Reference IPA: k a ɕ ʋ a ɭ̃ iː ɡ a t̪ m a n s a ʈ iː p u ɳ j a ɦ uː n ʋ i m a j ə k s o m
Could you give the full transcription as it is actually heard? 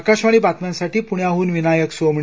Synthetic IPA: k a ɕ ʋ a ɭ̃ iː b a t̪ m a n s a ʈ iː p u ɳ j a ɦ uː n ʋ i n a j ə k s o m